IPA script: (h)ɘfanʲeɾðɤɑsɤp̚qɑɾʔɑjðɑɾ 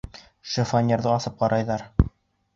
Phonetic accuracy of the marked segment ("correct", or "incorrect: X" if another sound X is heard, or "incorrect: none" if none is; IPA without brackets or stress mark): incorrect: ʃ